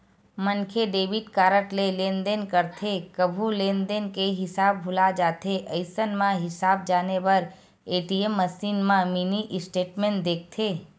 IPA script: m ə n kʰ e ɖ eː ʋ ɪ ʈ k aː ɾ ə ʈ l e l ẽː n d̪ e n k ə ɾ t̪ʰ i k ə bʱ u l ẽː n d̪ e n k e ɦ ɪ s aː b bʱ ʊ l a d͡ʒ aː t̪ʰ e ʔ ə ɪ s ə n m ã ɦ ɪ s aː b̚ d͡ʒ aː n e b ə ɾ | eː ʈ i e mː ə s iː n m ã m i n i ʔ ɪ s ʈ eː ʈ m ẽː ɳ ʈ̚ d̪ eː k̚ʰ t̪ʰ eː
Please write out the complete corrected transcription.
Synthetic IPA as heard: m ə n kʰ e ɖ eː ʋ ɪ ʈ k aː ɾ ə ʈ l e l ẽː n d̪ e n k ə ɾ t̪ʰ e k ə bʱ u l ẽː n d̪ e n k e ɦ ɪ s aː b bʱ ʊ l a d͡ʒ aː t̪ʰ e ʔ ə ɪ s ə n m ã ɦ ɪ s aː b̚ d͡ʒ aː n e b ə ɾ | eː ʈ i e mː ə s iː n m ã m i n i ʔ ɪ s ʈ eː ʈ m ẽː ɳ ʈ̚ d̪ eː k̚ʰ t̪ʰ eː